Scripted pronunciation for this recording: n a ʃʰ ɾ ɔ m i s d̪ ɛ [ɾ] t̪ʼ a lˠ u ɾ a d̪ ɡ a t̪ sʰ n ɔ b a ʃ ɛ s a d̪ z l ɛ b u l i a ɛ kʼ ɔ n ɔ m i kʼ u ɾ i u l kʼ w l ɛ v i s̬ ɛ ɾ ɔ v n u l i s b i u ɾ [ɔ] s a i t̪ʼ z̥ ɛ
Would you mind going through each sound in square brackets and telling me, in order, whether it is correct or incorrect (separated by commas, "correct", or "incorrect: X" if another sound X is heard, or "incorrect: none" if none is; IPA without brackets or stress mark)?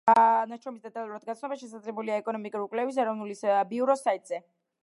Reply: incorrect: none, correct